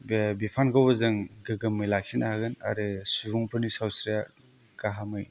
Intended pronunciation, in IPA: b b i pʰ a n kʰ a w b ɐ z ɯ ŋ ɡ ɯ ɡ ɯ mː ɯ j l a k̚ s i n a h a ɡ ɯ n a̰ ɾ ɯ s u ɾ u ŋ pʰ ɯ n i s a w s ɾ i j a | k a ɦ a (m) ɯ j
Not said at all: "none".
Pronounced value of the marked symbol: m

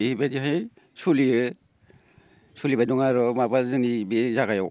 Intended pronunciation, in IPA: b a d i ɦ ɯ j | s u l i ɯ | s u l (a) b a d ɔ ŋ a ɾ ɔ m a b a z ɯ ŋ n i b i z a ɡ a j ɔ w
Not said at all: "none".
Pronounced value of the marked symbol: i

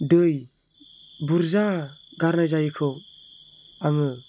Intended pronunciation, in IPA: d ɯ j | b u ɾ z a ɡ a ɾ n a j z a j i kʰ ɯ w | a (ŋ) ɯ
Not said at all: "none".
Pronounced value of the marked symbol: ŋ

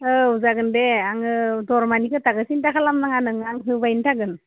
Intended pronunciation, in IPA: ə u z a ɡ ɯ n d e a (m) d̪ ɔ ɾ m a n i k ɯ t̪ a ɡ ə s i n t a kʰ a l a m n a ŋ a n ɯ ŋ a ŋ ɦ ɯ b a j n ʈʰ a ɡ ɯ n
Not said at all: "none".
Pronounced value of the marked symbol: ŋ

